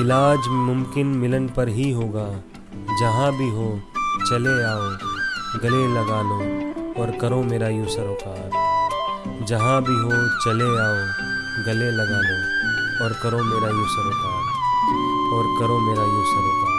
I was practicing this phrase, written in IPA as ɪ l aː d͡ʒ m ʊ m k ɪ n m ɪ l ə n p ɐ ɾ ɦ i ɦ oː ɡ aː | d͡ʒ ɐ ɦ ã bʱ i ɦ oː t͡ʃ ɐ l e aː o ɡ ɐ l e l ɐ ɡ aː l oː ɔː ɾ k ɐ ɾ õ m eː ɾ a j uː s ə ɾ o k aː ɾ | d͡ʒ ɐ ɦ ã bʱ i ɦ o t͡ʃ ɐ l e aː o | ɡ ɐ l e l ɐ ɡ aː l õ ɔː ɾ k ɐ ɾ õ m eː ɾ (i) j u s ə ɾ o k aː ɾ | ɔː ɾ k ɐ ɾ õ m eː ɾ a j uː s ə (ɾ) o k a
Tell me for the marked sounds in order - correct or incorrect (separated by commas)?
incorrect, correct